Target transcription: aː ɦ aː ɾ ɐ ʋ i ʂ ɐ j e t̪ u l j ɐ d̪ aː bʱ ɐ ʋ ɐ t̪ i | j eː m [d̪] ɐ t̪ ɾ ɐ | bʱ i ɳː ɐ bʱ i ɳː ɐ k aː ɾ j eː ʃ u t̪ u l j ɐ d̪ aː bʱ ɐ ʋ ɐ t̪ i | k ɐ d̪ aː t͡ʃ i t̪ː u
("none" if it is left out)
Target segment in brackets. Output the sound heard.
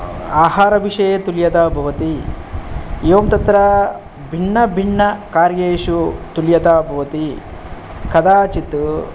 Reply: t̪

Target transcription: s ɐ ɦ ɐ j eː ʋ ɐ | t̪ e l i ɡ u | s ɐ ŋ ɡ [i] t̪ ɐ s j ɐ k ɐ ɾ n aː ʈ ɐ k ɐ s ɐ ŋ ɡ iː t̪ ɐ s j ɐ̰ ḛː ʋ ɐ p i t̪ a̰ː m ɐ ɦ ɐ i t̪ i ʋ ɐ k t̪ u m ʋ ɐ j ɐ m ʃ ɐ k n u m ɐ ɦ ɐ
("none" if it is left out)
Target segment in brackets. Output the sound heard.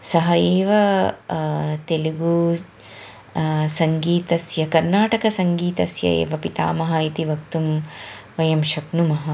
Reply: iː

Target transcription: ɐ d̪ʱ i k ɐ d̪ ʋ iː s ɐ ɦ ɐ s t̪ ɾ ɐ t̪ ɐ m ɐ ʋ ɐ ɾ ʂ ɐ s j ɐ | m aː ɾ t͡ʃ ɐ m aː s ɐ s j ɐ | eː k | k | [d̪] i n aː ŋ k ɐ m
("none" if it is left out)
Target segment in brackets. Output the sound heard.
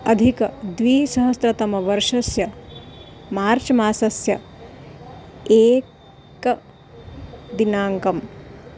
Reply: d̪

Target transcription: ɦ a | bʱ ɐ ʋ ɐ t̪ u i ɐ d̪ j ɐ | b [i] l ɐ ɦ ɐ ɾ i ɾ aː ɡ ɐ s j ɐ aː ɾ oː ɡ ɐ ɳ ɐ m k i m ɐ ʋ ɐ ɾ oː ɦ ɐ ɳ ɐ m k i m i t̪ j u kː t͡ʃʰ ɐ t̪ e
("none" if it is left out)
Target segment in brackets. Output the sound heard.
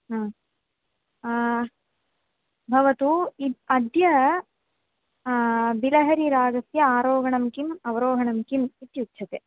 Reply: i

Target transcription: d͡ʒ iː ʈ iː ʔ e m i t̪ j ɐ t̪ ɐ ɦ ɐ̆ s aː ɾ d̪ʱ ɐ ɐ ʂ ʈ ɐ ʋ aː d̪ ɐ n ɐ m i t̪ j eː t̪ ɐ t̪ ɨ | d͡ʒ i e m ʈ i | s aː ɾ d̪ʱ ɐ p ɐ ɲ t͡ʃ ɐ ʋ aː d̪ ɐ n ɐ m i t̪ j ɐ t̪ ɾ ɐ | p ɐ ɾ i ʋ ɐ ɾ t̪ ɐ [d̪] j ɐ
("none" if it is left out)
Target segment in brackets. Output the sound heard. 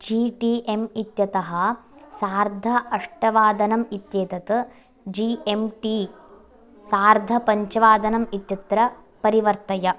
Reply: none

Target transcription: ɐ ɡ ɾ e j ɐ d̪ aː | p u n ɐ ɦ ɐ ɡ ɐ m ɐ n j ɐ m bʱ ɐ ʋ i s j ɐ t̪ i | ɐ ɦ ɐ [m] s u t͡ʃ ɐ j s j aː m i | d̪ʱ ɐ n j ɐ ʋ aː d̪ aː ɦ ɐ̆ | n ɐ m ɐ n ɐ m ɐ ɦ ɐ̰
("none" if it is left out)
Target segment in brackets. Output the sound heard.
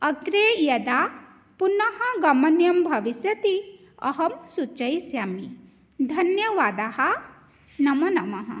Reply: m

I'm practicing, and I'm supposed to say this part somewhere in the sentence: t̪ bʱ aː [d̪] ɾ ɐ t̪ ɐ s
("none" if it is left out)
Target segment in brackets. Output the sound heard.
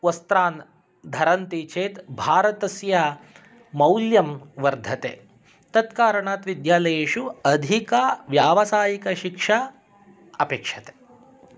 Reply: none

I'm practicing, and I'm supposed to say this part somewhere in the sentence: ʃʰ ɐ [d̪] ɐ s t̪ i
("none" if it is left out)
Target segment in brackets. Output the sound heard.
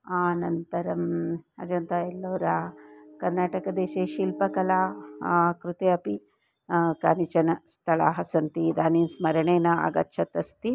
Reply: t̪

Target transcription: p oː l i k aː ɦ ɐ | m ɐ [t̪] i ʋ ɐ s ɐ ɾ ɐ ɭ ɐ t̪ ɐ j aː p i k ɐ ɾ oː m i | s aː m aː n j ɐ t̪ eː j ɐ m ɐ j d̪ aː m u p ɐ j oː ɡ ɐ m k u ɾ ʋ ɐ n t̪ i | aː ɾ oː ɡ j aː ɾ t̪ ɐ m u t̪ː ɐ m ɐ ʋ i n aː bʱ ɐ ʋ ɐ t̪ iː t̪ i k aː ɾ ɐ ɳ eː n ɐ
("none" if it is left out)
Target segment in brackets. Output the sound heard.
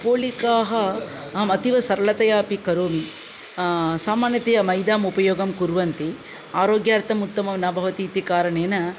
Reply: t̪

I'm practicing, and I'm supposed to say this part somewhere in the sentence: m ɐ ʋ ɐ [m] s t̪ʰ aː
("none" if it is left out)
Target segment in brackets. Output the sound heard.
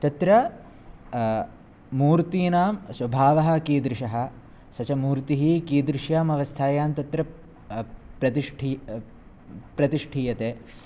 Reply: none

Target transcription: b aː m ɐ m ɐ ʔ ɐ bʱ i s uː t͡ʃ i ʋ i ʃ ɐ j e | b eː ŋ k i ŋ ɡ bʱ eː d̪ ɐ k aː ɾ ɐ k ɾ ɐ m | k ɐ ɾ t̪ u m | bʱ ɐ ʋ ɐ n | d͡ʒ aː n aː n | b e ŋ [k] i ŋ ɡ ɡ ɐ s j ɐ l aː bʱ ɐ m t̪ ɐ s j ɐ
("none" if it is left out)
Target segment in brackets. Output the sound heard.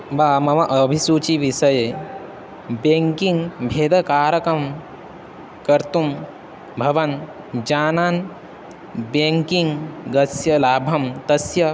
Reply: k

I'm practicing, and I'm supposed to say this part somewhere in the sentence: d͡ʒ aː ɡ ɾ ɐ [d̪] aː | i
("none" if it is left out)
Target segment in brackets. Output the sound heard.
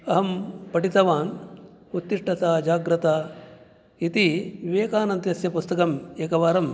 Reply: t̪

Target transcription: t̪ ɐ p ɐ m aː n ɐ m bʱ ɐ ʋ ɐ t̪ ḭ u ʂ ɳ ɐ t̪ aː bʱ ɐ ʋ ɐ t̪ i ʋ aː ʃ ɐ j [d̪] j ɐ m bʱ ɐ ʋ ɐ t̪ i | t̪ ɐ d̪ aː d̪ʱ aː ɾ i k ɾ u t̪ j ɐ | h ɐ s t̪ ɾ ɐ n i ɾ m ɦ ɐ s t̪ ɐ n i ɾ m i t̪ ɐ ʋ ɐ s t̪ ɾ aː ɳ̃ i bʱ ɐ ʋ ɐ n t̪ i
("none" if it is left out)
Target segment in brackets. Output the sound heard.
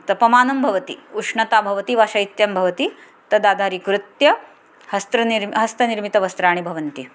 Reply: t̪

